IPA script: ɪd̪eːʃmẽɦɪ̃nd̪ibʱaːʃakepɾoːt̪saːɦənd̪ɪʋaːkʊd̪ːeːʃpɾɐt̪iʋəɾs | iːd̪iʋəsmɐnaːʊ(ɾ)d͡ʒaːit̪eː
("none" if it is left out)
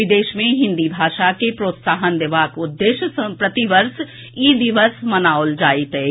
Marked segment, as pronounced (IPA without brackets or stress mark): l